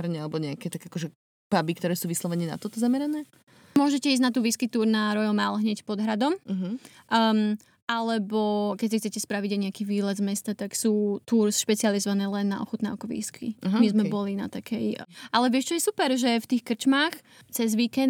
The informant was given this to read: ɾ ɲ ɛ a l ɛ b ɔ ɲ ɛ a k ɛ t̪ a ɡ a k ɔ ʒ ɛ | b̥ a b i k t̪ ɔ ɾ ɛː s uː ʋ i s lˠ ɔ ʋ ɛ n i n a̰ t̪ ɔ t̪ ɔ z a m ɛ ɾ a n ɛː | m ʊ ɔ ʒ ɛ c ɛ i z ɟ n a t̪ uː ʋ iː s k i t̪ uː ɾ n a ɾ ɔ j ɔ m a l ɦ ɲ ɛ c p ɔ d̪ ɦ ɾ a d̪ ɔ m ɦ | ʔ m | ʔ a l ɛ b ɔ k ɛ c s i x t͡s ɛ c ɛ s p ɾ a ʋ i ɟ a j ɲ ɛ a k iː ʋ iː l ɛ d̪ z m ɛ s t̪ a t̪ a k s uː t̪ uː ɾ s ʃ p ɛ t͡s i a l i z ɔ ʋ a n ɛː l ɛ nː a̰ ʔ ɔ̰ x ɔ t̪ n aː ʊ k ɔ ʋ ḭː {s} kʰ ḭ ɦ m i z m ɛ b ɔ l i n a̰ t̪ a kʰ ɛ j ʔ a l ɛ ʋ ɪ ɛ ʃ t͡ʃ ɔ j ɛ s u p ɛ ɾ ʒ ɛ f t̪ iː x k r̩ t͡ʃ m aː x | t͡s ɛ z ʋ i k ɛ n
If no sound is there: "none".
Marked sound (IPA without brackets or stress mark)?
s